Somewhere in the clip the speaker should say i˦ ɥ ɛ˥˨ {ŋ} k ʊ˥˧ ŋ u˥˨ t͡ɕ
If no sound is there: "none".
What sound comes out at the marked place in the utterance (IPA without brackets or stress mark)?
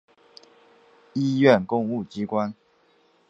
n